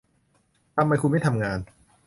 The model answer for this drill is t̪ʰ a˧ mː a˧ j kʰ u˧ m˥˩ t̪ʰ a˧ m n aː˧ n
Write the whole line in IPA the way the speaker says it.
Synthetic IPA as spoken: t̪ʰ a˧ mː a˧ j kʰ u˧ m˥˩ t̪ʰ a˧ m ŋ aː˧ n